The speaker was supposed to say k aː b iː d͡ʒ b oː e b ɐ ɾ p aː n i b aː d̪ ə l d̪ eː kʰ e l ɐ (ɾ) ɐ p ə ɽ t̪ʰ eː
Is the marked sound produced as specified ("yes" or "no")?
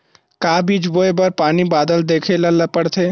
no